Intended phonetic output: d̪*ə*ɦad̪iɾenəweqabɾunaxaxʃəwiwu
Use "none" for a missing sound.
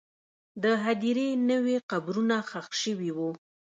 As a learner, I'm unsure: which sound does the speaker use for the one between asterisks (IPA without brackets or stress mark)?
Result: ə